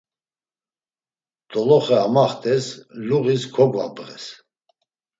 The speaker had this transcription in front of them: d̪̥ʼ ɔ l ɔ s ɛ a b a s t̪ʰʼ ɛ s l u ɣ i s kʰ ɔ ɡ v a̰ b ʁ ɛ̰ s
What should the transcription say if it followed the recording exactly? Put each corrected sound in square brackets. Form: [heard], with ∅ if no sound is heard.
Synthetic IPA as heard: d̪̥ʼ ɔ l ɔ [χ] ɛ a [m] a [χ] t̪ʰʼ ɛ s l u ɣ i s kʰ ɔ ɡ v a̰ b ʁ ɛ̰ s